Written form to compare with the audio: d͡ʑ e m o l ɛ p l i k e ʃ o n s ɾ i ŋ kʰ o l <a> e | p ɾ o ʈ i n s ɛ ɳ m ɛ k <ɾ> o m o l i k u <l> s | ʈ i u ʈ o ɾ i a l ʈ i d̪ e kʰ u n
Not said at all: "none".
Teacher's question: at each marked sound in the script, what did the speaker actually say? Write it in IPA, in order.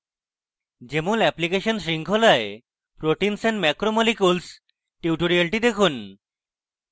a, ɾ, l

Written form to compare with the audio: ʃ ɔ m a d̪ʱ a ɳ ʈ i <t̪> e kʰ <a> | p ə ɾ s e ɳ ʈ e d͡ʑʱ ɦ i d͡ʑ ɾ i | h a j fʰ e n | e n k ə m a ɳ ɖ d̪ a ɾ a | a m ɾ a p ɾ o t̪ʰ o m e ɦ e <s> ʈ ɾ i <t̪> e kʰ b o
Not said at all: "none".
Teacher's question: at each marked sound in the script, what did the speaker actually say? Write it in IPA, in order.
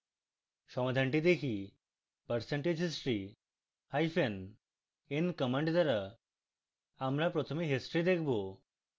d̪, i, s, d̪

